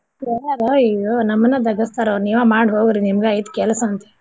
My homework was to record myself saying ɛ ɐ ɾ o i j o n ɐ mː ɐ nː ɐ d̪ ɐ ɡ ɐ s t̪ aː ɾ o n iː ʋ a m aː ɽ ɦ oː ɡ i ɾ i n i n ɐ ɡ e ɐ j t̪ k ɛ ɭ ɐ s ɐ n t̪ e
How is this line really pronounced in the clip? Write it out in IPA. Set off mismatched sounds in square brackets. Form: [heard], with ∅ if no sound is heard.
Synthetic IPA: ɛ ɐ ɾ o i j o n ɐ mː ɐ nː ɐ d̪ ɐ ɡ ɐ s t̪ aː ɾ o n iː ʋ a m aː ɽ ɦ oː ɡ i ɾ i n i [m] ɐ ɡ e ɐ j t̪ k ɛ [l] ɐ s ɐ n t̪ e